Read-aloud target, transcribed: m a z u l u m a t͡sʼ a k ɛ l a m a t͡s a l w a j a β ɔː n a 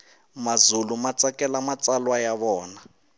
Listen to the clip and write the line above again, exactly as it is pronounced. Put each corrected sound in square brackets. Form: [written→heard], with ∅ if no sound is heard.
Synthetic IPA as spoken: m a z u l u m a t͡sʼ a k ɛ l a m a t͡s a l w a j a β ɔː n a